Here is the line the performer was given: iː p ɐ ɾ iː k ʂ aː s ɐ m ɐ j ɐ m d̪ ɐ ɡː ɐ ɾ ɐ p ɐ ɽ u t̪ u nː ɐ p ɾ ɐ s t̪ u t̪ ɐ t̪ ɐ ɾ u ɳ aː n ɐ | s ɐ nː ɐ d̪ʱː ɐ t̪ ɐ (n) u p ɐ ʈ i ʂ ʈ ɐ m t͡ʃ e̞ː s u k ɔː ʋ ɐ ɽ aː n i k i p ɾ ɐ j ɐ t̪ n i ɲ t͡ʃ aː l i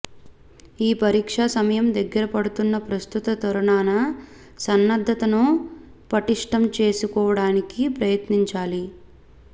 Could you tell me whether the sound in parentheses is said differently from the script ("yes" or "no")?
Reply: no